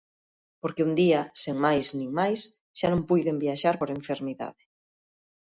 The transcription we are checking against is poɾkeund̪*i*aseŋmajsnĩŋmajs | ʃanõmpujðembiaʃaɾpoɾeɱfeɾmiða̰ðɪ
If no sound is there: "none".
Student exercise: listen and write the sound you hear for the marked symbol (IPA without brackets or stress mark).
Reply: i